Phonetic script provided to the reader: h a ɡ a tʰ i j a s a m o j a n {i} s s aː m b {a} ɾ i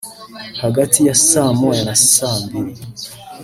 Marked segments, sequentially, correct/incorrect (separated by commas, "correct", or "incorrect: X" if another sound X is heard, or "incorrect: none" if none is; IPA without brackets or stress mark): incorrect: a, incorrect: i